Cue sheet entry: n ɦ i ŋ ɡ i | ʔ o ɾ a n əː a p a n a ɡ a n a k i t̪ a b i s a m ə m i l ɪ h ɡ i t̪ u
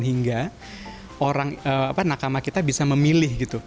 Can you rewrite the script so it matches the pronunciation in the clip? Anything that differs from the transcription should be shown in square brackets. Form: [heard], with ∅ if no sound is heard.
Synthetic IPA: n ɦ i ŋ ɡ [a] | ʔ o ɾ a [ŋ] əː a p a n a [k] a [m] a k i t̪ a b i s a m ə m i l ɪ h ɡ i t̪ u